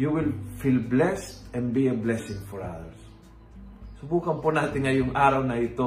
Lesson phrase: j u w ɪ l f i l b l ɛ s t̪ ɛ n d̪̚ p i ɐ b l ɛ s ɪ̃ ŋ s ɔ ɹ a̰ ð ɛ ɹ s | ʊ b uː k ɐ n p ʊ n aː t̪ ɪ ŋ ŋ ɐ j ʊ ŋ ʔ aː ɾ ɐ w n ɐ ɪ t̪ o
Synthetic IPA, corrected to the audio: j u w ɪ l f i l b l ɛ s t̪ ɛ n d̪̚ b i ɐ b l ɛ s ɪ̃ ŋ f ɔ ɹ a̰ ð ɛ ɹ s | ʊ b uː k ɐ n p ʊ n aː t̪ ɪ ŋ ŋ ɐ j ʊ ŋ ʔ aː ɾ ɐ w n ɐ ɪ t̪ o